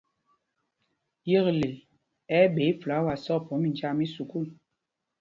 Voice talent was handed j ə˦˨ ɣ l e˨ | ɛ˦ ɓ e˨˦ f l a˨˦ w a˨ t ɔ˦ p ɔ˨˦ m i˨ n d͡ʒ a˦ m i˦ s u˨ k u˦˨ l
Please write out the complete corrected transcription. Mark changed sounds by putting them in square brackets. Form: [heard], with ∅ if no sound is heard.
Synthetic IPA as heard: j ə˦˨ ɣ l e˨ | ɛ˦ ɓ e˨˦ f l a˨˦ w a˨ [s] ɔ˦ p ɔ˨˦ m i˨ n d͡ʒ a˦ m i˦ s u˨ k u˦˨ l